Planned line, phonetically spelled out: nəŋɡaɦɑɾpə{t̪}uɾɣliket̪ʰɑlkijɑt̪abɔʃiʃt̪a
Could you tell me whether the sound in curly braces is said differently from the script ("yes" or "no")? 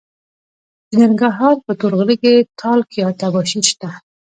no